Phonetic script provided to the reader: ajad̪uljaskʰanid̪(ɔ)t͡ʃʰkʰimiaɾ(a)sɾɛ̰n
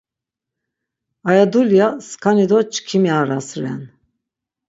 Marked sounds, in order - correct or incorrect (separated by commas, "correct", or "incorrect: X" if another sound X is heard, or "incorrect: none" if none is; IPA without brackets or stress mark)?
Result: correct, correct